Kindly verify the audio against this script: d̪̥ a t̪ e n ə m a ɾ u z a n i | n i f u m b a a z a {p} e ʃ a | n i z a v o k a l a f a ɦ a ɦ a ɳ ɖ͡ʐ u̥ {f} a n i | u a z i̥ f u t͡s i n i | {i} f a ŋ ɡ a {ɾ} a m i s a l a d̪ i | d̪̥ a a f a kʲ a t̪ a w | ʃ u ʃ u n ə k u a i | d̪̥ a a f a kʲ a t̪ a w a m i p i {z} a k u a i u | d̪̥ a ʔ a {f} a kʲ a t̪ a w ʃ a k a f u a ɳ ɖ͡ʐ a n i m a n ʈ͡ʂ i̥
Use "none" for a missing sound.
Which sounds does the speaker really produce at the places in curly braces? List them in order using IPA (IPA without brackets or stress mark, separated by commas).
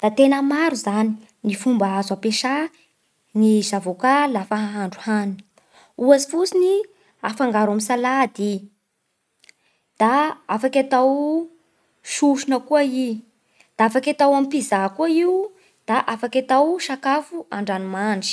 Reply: p, h, a, ɾ, z, f